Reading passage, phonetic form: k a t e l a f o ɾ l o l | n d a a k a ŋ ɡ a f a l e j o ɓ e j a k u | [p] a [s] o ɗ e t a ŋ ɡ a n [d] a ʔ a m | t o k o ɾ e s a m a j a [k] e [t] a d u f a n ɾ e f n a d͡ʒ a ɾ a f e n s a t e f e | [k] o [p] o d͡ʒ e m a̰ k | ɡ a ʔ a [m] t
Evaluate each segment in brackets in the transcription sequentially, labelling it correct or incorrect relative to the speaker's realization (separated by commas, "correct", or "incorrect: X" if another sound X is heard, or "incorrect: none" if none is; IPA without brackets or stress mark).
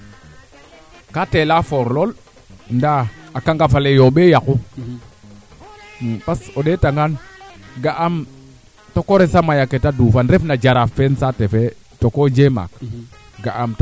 correct, correct, incorrect: ɡ, correct, correct, incorrect: t, incorrect: k, correct